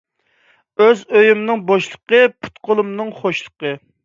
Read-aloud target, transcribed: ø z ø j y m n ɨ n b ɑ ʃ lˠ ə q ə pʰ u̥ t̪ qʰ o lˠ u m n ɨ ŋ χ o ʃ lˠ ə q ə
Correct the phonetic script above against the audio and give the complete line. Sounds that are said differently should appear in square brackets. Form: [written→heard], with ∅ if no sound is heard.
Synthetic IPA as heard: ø z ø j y m n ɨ [n→ŋ] b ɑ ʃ lˠ ə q ə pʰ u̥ t̪ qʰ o lˠ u m n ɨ ŋ χ o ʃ lˠ ə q ə